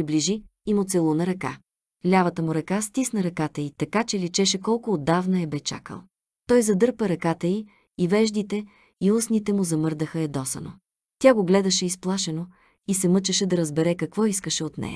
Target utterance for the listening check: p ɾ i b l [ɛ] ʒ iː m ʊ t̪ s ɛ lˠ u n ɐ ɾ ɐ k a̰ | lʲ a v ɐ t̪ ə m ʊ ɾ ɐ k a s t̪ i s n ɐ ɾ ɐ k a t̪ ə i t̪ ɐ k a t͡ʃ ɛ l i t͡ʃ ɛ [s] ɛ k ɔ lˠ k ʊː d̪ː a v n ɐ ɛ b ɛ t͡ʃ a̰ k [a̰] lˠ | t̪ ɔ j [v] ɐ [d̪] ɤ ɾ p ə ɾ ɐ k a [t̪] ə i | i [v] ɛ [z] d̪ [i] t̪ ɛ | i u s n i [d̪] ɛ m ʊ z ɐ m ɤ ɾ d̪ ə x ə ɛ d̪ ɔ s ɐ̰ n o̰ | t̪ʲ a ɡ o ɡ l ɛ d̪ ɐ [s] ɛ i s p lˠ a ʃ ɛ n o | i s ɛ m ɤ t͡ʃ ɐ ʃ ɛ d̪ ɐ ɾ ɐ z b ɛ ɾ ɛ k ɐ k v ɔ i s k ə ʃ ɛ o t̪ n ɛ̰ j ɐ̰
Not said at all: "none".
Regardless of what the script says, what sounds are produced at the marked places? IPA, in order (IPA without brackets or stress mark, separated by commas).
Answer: i, ʃ, ə̰, z, d̪, t̪, v, ʒ, i, t̪, ʃ